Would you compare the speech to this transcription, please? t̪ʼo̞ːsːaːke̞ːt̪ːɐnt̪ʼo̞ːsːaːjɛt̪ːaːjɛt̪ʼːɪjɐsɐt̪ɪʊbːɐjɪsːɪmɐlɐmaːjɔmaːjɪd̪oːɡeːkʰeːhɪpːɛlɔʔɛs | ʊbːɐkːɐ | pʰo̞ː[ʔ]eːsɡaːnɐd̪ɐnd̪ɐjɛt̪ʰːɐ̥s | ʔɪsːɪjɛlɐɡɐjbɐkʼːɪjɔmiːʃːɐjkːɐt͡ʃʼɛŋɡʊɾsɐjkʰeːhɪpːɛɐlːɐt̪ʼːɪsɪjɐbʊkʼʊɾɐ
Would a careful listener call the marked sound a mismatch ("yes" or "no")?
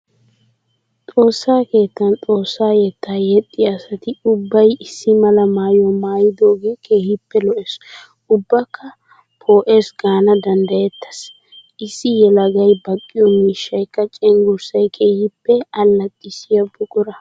no